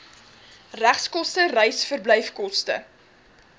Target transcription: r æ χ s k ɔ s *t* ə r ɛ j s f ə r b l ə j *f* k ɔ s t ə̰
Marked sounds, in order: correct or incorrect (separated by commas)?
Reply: correct, correct